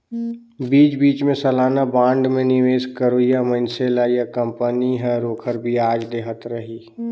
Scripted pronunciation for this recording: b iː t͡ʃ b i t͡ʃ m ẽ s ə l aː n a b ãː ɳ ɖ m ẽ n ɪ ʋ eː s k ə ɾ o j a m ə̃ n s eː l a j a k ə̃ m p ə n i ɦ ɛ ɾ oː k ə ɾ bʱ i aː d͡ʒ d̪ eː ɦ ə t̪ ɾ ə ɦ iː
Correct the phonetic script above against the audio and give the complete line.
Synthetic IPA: b iː t͡ʃ b iː t͡ʃ m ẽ s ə l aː n a b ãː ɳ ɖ m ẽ n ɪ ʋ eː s k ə ɾ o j a m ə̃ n s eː l a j a k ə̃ m p ə n i ɦ ɛ ɾ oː kʰ ə ɾ bʱ i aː d͡ʒ d̪ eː ɦ ə t̪ ɾ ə ɦ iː